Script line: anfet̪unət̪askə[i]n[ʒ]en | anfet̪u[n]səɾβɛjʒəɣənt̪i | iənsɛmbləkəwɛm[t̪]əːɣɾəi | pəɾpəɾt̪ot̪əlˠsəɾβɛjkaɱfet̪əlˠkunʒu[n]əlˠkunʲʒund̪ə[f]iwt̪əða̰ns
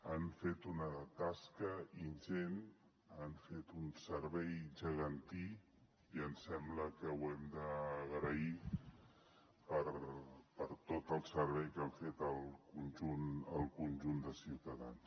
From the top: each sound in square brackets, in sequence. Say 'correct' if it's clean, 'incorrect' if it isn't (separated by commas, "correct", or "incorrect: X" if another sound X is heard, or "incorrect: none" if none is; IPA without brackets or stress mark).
correct, correct, correct, incorrect: d̪, correct, incorrect: s